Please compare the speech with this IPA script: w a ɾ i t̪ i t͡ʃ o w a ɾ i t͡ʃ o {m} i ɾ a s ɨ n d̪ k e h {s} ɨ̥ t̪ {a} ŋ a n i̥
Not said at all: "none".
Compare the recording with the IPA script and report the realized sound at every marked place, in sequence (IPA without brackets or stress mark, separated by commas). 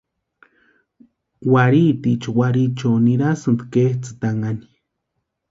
n, t͡s, a